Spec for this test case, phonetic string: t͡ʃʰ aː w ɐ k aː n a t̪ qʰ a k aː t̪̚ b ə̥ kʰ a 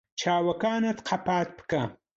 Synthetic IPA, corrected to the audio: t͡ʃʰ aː w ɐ k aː n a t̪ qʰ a p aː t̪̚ p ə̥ k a